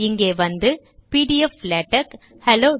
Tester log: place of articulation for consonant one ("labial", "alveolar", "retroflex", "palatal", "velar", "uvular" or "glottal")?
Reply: velar